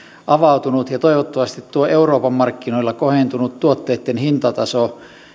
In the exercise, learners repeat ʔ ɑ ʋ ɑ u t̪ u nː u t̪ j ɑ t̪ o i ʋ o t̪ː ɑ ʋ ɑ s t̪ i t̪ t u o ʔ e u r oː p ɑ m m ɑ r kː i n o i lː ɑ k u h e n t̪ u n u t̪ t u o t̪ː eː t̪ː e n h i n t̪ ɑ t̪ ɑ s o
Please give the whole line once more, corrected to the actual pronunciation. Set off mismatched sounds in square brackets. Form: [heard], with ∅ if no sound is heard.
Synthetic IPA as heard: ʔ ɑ ʋ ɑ u t̪ u [n] u t̪ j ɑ t̪ o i ʋ o t̪ː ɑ ʋ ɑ s t̪ i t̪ t u o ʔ e u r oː p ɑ m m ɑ r kː i n o i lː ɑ k [o] h e n t̪ u n u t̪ t u o t̪ː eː t̪ː e n h i n t̪ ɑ t̪ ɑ s o